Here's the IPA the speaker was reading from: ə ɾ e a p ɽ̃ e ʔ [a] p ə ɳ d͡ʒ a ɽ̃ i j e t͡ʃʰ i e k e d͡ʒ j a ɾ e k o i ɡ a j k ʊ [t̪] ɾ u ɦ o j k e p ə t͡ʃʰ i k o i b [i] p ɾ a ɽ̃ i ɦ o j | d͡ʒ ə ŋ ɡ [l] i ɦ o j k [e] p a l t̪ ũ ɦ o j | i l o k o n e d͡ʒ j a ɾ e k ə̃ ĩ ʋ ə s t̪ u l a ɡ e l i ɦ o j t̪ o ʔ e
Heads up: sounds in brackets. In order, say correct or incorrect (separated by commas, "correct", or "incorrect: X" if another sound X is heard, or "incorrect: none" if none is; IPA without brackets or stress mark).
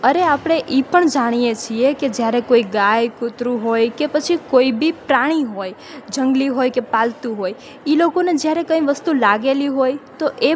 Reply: incorrect: i, correct, correct, correct, correct